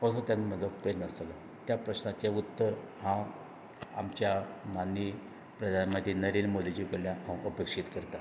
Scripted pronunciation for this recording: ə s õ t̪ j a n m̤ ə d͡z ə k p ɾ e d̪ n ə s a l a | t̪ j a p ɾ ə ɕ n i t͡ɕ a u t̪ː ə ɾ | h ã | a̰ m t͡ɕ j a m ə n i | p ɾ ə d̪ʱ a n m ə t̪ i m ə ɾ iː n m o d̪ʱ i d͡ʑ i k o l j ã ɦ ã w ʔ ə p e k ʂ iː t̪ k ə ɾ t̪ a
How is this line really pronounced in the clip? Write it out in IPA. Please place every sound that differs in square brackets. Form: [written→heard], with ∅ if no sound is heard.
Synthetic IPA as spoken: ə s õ t̪ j a n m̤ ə d͡z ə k p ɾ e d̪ n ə s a l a | t̪ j a p ɾ ə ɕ n [i→a] t͡ɕ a u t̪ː ə ɾ | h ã | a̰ m t͡ɕ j a m [ə→a] n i | p ɾ ə d̪ʱ a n m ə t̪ i [m→n] ə ɾ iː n m o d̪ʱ i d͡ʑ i k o l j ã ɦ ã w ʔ ə p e k ʂ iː t̪ k ə ɾ t̪ a